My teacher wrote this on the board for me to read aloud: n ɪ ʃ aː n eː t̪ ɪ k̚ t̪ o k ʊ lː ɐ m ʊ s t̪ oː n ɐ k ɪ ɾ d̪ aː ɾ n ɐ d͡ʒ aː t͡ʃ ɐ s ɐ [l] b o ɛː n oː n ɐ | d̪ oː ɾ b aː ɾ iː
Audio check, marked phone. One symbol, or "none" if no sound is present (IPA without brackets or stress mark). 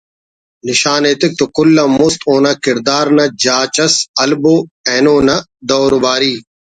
l